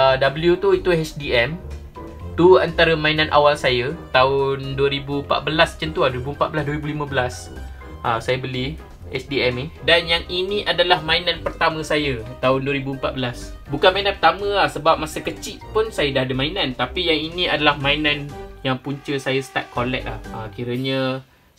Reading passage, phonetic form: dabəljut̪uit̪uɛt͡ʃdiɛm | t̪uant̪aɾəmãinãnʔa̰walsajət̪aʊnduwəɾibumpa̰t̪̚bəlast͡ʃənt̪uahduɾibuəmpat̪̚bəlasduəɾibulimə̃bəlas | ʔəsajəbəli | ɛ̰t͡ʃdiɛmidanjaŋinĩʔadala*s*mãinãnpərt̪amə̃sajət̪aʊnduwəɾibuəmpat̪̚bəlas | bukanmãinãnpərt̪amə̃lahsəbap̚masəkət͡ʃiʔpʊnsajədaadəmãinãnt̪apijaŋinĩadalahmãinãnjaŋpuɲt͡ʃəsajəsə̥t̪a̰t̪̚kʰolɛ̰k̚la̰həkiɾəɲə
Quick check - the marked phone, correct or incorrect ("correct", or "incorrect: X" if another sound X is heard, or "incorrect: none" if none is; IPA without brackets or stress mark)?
incorrect: h